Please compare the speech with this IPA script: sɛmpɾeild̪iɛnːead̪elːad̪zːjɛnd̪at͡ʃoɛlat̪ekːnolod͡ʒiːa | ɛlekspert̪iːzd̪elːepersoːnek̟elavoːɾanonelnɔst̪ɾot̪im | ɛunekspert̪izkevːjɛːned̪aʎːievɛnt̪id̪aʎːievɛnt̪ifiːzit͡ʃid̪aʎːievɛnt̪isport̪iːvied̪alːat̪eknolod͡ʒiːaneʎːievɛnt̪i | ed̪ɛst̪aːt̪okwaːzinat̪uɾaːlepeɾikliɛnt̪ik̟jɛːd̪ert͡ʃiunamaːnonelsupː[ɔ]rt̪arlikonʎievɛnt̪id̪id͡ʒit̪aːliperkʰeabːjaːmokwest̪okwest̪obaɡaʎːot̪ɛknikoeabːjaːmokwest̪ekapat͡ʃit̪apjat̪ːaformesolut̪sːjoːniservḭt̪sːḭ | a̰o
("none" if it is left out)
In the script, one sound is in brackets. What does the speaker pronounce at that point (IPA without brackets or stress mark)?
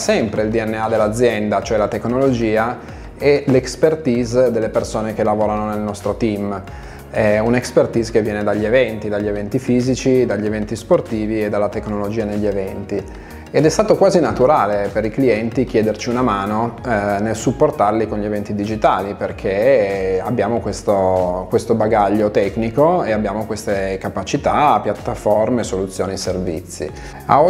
o